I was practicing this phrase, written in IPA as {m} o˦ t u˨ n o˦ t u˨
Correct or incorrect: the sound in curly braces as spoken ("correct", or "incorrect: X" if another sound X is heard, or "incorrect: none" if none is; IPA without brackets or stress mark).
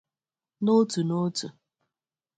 incorrect: n